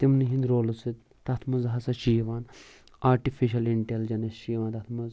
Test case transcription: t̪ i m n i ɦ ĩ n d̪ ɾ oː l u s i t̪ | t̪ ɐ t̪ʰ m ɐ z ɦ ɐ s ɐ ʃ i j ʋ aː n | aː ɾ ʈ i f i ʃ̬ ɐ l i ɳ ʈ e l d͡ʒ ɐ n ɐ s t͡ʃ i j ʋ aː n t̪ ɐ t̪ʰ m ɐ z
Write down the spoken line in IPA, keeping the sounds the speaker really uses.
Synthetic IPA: t̪ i m n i ɦ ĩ n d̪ ɾ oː l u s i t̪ | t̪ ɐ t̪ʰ m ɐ z ɦ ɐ s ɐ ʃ i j ʋ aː n | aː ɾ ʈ i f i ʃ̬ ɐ l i ɳ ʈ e l d͡ʒ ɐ n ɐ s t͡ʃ i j ʋ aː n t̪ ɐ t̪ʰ m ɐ z